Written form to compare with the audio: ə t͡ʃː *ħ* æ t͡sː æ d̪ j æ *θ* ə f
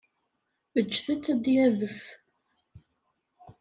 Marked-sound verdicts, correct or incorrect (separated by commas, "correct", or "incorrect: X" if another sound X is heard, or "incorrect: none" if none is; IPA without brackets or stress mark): incorrect: θ, incorrect: ð